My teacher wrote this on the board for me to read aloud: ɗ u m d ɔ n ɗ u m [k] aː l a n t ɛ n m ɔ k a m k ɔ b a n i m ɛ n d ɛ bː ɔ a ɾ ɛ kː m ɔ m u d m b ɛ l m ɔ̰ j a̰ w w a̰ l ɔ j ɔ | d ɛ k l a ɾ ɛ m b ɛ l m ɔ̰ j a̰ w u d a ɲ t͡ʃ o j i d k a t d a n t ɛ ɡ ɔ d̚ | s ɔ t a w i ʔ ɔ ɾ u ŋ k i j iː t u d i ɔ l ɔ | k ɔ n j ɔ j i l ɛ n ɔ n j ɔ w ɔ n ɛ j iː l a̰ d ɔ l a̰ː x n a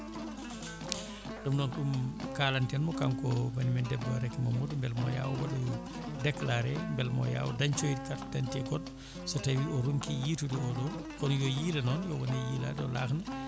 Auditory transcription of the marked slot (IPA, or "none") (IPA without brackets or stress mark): k